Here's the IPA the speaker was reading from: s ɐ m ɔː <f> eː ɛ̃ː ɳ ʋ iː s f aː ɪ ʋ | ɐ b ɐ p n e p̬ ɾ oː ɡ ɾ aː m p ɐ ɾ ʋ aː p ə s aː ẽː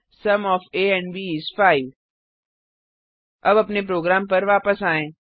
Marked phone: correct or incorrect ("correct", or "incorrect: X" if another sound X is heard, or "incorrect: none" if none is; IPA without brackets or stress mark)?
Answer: correct